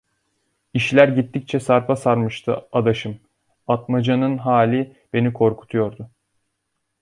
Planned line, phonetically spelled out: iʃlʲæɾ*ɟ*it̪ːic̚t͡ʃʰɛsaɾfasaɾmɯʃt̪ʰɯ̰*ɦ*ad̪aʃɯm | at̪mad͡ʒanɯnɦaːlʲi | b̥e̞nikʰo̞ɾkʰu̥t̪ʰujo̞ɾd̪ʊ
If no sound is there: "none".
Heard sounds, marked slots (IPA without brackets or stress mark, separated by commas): ɟ, none